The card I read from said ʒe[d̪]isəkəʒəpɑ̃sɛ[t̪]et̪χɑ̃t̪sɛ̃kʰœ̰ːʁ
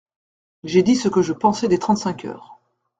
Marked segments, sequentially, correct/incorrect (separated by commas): correct, incorrect